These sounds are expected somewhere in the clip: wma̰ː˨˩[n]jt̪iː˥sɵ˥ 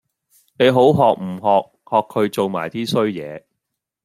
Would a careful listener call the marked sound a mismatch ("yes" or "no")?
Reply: yes